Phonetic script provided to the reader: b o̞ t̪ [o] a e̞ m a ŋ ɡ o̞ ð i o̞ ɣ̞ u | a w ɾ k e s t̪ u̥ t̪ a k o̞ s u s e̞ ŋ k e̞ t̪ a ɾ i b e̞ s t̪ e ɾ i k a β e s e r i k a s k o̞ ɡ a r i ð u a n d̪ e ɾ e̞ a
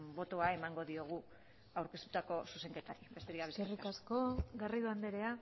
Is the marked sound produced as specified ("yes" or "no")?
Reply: yes